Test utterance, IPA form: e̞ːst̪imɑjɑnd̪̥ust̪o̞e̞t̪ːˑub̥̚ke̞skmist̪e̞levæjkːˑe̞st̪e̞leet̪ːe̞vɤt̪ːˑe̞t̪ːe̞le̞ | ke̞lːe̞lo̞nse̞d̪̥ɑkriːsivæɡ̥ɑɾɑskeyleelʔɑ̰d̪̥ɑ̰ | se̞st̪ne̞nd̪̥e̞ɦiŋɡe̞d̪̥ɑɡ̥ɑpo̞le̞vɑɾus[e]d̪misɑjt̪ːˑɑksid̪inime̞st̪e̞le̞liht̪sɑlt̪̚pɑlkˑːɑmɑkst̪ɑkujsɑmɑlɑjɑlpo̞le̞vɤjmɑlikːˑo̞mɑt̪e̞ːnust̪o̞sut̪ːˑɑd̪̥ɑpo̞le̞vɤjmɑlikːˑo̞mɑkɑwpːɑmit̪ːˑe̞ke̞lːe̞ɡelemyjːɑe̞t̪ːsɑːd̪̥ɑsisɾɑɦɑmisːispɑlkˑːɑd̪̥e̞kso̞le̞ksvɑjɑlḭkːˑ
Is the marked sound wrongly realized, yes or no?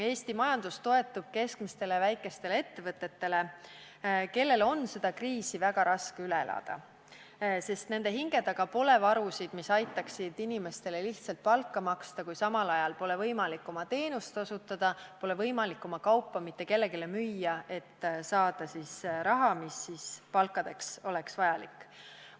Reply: yes